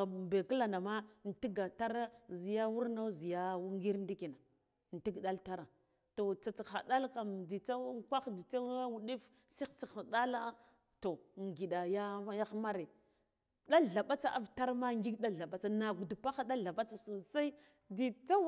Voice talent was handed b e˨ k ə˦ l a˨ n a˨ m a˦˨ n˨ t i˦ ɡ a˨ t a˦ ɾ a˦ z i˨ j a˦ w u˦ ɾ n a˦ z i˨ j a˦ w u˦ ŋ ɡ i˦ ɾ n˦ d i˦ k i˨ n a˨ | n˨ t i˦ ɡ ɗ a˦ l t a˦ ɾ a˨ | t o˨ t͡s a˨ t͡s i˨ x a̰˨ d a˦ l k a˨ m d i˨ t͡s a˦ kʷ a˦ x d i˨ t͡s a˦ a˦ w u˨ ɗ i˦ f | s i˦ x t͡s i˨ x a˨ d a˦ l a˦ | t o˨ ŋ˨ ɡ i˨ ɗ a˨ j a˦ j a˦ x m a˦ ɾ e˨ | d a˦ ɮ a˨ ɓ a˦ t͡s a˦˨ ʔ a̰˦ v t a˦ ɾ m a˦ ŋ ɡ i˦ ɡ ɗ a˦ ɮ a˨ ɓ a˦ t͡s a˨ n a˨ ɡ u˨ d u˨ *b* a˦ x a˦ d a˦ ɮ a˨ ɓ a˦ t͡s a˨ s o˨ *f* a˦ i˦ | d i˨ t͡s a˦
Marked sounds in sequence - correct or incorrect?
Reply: incorrect, incorrect

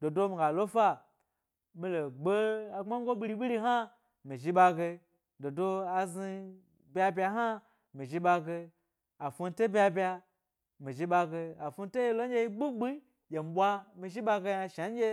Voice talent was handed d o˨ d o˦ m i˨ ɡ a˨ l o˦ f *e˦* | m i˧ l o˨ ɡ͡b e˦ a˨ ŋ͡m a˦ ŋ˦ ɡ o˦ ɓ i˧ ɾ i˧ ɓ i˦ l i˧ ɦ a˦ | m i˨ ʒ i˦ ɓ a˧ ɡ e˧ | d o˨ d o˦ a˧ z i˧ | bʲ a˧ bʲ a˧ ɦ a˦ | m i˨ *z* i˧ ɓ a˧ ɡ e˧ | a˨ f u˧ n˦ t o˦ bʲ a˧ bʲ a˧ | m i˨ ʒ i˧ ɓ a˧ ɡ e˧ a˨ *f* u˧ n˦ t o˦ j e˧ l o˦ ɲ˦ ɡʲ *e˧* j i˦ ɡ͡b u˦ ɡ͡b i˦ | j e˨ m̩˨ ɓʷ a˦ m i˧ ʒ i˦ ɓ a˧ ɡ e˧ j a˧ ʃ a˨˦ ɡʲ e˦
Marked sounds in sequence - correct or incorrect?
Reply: incorrect, incorrect, correct, correct

